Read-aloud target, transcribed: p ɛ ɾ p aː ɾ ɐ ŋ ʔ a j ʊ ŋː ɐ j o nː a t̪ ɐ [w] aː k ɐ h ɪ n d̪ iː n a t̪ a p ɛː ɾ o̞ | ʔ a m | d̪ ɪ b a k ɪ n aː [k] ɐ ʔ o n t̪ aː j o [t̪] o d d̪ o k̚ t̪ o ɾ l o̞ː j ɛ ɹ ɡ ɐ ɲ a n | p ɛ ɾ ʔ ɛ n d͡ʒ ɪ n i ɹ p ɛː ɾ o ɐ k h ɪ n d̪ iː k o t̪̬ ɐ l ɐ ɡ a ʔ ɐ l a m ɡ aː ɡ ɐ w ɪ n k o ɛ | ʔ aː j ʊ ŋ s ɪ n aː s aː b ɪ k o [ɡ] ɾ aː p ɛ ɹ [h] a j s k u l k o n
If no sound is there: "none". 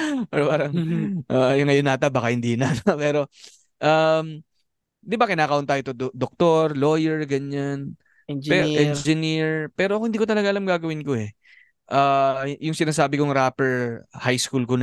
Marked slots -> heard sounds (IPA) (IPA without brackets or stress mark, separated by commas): b, k, t̪, ŋ, h